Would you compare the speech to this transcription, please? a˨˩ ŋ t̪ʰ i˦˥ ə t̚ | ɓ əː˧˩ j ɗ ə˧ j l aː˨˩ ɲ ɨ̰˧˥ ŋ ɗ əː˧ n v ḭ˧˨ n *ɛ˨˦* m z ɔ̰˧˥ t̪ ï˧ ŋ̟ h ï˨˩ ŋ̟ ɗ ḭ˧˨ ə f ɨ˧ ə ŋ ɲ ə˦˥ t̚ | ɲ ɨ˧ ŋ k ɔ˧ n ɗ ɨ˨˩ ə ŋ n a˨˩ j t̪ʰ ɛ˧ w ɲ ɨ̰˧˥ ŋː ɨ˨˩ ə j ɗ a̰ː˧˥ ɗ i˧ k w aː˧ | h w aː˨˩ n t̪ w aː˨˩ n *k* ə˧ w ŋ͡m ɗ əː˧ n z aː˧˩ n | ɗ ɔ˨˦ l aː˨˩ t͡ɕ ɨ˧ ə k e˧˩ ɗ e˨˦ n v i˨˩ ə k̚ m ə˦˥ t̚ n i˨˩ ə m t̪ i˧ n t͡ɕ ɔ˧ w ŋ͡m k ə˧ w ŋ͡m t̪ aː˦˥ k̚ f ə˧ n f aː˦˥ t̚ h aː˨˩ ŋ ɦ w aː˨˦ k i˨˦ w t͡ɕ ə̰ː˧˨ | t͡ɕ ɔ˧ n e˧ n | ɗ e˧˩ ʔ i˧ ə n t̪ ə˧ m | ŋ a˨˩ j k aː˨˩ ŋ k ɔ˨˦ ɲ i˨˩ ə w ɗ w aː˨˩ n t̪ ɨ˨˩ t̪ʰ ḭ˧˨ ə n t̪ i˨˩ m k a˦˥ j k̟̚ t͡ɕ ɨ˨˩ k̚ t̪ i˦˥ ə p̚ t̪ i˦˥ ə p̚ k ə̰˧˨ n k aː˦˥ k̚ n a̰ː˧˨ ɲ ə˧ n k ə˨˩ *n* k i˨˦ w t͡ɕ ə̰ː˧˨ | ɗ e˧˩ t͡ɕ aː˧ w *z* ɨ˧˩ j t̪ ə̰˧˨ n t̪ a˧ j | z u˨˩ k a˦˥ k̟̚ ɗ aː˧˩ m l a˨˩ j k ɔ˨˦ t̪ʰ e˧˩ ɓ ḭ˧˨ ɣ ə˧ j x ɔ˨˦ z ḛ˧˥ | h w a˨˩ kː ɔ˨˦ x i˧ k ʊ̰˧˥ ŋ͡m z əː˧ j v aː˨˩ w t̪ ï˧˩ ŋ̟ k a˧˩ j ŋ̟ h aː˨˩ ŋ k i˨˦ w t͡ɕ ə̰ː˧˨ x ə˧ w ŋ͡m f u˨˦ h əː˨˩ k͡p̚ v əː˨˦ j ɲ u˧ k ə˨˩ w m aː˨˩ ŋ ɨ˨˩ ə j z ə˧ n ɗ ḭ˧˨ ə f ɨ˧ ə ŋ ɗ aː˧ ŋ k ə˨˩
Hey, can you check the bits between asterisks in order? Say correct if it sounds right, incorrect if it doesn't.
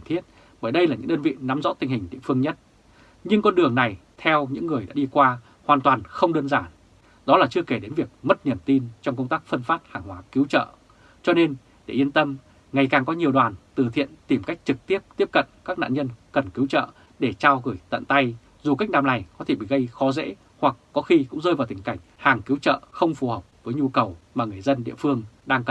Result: incorrect: a˨˦, incorrect: x, correct, incorrect: ɣ

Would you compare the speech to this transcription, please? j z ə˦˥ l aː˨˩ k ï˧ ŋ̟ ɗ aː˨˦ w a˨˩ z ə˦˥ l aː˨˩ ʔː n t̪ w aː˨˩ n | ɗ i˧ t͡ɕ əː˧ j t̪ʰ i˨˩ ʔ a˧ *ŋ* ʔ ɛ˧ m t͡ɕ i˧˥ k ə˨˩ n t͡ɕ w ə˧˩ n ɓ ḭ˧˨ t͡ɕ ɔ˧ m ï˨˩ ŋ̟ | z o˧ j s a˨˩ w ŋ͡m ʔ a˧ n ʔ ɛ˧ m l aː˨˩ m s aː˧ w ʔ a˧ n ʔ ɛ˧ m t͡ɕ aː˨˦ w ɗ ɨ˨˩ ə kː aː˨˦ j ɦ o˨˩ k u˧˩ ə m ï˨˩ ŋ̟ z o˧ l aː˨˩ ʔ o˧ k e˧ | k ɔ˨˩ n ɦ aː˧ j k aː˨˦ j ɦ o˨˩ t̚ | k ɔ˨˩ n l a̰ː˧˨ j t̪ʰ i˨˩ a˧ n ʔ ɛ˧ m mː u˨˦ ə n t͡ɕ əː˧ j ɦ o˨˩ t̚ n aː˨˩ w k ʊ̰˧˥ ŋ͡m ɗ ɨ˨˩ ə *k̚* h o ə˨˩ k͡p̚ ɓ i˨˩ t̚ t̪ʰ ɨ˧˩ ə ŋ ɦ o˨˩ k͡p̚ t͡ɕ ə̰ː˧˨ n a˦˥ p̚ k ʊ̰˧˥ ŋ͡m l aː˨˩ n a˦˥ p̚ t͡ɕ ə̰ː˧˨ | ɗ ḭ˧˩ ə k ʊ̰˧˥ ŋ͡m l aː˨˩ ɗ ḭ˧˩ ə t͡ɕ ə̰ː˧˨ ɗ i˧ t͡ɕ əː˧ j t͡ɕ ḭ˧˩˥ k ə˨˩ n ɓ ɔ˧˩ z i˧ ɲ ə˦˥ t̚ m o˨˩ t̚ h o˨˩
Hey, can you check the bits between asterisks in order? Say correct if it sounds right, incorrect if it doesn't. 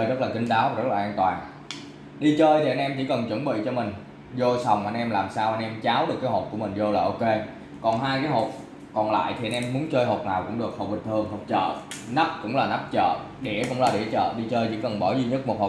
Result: incorrect: n, correct

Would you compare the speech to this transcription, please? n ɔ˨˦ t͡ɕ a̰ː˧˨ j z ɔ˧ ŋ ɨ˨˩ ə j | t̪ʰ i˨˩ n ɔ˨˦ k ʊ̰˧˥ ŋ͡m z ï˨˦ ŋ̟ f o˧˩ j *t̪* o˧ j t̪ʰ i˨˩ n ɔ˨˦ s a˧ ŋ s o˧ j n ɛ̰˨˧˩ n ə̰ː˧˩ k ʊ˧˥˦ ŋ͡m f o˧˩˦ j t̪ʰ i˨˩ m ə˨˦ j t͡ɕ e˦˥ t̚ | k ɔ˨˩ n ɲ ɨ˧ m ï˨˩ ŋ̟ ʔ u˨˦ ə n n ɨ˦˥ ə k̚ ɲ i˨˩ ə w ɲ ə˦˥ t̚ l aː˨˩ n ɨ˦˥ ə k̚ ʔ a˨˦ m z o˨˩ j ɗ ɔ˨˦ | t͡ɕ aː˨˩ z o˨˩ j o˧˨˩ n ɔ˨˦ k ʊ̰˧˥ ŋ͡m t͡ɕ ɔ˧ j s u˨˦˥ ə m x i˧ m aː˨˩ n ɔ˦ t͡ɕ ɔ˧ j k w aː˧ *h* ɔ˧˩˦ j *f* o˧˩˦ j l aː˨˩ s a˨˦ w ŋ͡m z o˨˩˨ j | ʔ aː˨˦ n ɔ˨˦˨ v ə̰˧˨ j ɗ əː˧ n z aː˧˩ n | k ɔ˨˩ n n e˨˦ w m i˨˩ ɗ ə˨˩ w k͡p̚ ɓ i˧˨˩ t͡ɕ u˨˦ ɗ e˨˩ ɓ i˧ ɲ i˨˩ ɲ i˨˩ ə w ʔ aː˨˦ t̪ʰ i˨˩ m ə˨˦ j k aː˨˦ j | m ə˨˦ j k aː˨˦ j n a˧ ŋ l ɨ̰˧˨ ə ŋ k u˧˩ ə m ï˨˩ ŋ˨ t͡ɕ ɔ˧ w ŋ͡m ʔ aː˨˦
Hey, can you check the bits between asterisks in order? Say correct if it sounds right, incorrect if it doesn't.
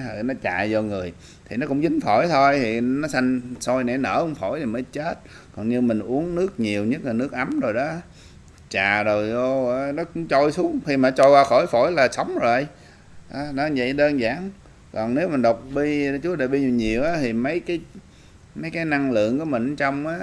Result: incorrect: t̪ʰ, incorrect: x, correct

